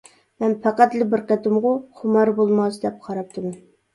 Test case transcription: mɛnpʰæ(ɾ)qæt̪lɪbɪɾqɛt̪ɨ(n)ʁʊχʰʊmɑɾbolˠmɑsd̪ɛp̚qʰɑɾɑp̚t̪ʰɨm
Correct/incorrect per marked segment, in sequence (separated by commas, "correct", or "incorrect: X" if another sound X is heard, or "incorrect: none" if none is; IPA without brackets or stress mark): incorrect: none, incorrect: m